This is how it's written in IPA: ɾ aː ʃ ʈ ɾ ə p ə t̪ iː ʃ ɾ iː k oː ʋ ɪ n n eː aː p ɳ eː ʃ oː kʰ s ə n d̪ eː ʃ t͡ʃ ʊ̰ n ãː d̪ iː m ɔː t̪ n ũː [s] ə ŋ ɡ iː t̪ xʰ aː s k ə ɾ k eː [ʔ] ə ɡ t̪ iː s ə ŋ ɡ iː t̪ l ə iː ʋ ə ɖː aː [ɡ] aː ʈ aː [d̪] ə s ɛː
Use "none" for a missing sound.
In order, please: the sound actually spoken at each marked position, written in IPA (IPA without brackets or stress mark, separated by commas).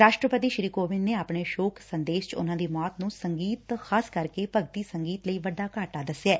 s, p, k, d̪